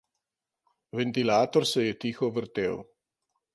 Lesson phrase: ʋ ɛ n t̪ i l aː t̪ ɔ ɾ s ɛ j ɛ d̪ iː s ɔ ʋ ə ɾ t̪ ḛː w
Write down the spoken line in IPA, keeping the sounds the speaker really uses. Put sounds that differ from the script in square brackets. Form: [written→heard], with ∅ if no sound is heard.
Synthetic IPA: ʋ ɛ n t̪ i l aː t̪ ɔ ɾ s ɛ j ɛ [d̪→t̪] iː [s→x] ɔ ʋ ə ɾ t̪ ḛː w